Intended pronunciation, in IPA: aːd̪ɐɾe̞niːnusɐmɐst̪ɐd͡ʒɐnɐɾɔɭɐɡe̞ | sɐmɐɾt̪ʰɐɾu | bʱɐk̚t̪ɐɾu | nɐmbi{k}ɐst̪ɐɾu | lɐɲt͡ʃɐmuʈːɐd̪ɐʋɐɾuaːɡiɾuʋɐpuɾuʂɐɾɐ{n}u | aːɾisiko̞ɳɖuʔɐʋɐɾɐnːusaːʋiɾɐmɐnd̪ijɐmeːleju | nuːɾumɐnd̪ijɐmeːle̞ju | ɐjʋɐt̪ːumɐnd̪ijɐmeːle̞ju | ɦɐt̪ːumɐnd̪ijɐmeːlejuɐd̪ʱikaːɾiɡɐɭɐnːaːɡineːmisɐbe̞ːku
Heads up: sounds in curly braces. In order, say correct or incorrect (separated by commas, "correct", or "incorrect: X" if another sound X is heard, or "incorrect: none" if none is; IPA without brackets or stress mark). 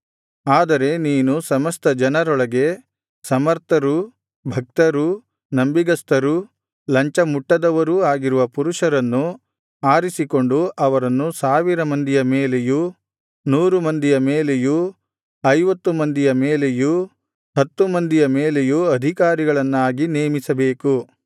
incorrect: ɡ, incorrect: nː